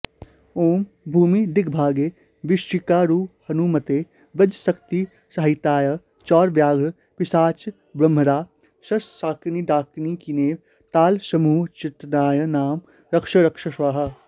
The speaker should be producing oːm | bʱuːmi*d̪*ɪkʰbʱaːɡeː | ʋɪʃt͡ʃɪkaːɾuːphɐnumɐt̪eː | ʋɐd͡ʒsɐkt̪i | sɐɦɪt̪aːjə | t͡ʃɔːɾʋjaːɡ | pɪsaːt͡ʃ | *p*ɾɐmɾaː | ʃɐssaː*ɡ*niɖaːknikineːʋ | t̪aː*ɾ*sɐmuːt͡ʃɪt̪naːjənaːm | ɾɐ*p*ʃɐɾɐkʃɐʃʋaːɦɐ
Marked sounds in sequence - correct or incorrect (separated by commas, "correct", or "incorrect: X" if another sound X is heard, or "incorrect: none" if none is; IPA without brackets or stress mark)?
correct, incorrect: b, incorrect: k, incorrect: l, incorrect: k